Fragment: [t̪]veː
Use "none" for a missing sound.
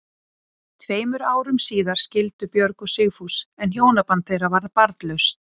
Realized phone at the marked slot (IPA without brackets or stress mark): t̪ʰ